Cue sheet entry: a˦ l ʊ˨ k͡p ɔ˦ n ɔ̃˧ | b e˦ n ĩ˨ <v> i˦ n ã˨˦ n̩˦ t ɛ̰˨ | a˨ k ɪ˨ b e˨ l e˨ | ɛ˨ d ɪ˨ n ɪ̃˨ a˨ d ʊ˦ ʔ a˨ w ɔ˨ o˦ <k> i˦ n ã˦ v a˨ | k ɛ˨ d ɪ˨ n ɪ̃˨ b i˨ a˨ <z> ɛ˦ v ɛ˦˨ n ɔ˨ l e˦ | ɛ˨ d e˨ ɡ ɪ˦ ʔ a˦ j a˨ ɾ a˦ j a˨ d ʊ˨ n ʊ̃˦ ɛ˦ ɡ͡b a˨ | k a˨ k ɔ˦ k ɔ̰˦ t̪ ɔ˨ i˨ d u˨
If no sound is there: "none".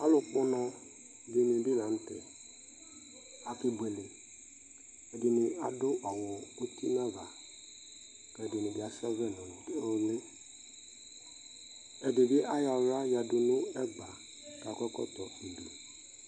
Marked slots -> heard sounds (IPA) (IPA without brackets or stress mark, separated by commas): b, t, s